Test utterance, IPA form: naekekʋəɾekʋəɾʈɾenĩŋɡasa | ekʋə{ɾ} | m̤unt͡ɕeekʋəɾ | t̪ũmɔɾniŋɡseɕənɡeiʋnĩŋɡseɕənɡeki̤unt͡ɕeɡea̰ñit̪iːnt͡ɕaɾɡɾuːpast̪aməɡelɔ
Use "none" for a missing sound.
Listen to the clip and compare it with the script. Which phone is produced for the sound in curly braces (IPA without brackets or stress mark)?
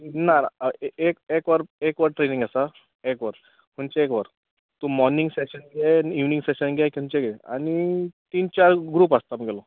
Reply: ɾ